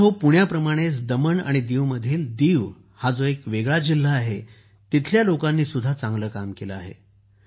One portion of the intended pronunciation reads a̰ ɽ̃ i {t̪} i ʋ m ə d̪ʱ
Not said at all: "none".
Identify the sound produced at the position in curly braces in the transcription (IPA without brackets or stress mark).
d̪